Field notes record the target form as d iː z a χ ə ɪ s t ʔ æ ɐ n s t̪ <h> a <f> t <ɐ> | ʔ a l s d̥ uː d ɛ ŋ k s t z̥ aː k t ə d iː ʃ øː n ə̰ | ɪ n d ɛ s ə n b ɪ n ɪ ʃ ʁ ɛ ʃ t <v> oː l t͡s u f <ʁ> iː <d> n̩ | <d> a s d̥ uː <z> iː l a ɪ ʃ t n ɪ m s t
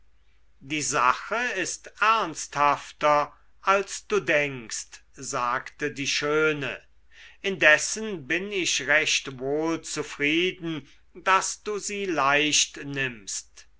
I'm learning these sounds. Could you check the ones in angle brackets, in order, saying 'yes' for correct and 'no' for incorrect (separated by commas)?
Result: yes, yes, yes, yes, yes, yes, yes, yes